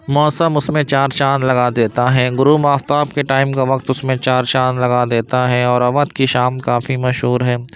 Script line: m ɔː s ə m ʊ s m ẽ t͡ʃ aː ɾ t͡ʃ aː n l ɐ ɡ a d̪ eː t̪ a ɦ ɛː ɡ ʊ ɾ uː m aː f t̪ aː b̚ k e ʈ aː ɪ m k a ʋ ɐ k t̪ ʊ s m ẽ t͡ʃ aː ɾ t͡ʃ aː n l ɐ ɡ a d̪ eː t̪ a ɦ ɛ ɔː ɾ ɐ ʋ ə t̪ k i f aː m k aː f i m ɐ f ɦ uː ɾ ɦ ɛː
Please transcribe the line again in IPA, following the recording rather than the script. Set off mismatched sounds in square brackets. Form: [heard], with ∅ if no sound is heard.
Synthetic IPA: m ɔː s ə m ʊ s m ẽ t͡ʃ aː ɾ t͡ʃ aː n l ɐ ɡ a d̪ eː t̪ a ɦ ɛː ɡ ʊ ɾ uː m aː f t̪ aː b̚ k e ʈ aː ɪ m k a ʋ ɐ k t̪ ʊ s m ẽ t͡ʃ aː ɾ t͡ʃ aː n l ɐ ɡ a d̪ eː t̪ a ɦ ɛ ɔː ɾ ɐ ʋ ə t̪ k i [ʃ] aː m k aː f i m ɐ [ʃ] ɦ uː ɾ ɦ ɛː